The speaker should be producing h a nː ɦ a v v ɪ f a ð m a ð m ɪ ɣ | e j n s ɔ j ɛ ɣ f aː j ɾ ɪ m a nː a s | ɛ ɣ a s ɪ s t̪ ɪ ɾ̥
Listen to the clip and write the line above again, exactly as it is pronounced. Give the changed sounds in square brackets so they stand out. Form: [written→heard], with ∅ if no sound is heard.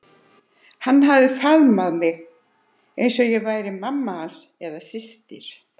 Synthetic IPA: h a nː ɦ a v [v→ð] ɪ f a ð m a ð m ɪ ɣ | e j n s ɔ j ɛ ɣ [f→v] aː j ɾ ɪ m a [nː→mː] a s | ɛ [ɣ→ð] a s ɪ s t̪ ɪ ɾ̥